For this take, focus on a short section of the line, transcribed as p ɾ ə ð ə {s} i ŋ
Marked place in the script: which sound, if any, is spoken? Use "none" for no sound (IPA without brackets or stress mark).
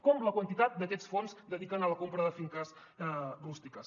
f